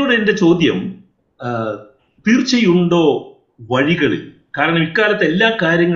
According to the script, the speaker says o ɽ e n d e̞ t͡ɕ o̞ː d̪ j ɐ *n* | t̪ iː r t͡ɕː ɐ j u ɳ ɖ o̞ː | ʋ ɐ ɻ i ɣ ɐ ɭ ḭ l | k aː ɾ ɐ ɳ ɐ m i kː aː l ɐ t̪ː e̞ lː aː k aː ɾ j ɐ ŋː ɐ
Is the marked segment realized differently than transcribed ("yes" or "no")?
yes